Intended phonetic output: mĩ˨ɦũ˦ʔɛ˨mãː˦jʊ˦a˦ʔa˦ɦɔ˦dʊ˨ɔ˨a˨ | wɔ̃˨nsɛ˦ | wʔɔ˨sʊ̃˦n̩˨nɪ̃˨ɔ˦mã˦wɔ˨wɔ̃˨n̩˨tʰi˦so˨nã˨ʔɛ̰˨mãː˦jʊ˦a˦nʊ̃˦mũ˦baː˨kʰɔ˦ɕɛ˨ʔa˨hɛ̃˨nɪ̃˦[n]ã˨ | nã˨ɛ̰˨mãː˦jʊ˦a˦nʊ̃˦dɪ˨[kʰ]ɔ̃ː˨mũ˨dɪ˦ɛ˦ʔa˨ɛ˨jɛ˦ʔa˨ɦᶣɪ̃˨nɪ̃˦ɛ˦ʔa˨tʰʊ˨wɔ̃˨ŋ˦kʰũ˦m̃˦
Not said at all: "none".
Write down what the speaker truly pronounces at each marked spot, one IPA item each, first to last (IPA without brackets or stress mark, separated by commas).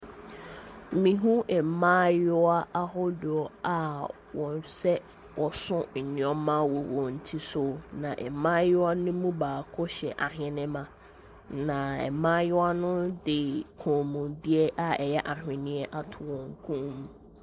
m, kʰ